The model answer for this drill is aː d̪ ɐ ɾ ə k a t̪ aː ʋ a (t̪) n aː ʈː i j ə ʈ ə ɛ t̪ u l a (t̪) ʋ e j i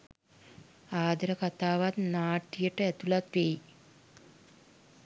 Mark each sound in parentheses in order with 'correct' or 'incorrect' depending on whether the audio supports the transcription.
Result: correct, correct

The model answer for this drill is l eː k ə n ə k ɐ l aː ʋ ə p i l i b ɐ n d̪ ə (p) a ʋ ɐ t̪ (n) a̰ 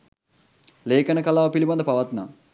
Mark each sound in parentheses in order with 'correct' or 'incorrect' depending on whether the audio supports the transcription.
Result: correct, correct

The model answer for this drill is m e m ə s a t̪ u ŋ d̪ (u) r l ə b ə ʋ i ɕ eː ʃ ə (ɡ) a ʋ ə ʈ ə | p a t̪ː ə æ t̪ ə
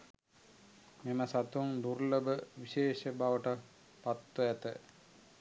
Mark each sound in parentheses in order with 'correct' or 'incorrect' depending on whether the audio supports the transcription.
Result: correct, incorrect: b

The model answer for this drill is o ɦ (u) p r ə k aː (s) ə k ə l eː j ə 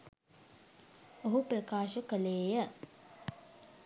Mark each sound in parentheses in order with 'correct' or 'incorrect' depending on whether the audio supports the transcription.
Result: correct, incorrect: ʃ

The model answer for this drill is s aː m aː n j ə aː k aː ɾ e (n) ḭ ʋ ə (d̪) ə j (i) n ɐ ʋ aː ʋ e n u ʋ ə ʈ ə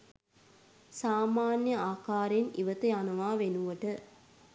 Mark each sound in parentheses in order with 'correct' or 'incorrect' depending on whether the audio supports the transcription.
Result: correct, incorrect: t̪, incorrect: a

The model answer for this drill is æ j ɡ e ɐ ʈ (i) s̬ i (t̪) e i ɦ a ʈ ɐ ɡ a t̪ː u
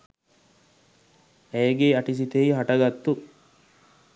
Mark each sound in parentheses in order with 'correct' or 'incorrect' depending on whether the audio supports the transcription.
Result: correct, correct

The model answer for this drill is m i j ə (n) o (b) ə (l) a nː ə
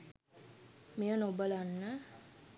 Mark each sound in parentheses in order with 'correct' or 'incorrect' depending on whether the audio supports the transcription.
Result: correct, correct, correct

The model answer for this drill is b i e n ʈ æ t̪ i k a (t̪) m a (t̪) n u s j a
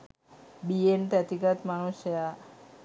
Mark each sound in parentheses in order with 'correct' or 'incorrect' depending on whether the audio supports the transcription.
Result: correct, incorrect: none

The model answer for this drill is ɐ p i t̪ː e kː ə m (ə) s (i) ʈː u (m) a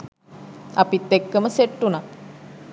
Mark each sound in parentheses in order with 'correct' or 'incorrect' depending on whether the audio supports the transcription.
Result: correct, incorrect: e, incorrect: n

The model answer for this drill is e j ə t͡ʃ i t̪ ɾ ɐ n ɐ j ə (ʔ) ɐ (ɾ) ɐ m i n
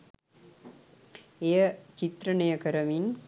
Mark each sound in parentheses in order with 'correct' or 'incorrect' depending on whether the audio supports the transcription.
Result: incorrect: k, correct

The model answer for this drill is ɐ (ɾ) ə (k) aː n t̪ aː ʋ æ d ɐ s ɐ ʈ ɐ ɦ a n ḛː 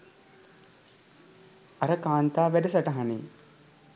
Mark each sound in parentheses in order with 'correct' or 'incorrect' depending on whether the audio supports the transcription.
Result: correct, correct

